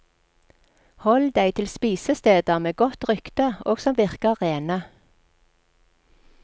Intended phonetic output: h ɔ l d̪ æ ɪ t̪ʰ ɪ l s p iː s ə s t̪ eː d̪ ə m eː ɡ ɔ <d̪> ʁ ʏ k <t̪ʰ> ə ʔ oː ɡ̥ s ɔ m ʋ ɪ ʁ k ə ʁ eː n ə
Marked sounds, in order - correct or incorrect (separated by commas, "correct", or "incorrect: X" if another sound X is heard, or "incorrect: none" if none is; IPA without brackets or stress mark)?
incorrect: t̪, incorrect: t̪